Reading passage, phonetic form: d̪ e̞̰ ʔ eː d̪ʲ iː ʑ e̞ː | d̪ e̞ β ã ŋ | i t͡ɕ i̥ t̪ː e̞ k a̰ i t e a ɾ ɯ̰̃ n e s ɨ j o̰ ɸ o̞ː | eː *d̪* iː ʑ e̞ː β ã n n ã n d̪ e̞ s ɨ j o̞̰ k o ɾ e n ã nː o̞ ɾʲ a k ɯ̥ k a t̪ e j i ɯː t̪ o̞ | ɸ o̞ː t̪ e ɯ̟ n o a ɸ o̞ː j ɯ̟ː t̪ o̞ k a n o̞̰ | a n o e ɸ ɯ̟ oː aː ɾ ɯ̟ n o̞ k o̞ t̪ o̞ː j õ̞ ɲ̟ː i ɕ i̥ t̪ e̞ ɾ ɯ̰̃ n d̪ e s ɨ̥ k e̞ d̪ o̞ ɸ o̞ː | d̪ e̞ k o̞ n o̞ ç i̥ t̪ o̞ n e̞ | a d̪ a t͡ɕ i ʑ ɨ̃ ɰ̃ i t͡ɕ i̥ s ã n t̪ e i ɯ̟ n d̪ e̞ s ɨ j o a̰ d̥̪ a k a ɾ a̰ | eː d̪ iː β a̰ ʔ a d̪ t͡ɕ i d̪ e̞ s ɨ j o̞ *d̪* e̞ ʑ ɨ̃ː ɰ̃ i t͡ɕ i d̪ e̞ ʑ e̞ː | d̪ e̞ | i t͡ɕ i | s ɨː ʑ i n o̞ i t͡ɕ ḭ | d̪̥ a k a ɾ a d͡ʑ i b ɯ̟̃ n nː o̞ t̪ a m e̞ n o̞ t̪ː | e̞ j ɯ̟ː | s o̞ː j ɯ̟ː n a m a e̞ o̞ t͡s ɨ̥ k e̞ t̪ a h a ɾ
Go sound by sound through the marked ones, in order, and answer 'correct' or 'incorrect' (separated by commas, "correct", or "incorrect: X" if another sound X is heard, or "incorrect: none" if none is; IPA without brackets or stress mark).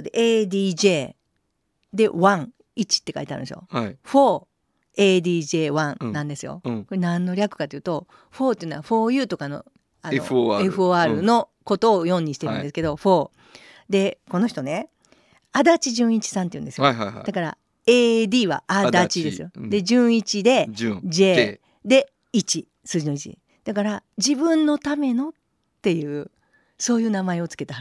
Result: correct, correct